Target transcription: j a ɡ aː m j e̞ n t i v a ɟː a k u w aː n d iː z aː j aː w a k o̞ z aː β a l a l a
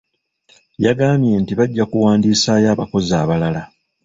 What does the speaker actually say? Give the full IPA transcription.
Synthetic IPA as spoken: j a ɡ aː m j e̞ n t i β a ɟː a k u w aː n d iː s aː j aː β a k o̞ z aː β a l a l a